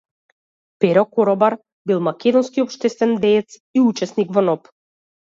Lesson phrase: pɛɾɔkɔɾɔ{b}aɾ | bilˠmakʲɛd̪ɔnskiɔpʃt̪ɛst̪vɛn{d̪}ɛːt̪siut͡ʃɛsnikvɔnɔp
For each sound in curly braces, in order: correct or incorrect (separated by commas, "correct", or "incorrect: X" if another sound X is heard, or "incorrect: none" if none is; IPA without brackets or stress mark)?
correct, correct